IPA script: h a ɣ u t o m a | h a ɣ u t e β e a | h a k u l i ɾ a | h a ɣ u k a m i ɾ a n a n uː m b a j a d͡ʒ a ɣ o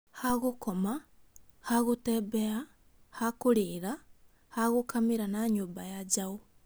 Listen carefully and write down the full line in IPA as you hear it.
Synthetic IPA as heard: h a ɣ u k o m a | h a ɣ u t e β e a | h a k u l i ɾ a | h a ɣ u k a m i ɾ a n a ɲ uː m b a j a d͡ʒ a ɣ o